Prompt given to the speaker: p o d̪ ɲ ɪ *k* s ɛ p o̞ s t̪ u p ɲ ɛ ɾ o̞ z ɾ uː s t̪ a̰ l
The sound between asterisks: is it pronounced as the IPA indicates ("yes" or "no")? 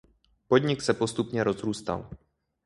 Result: yes